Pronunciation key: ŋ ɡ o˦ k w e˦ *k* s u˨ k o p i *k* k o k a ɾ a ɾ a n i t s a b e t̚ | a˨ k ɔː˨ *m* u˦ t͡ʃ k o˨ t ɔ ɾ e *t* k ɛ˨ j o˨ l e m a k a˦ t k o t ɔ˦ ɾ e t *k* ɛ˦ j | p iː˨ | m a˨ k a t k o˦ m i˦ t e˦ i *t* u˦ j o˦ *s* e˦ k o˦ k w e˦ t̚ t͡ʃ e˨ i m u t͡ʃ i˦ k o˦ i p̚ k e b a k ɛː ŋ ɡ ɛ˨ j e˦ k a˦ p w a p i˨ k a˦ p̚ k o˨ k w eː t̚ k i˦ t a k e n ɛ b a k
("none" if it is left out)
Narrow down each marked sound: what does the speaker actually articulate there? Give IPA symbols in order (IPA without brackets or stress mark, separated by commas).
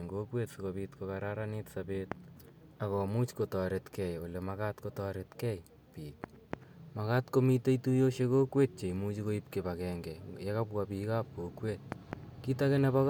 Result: t, t, m, t, k, t, ʃ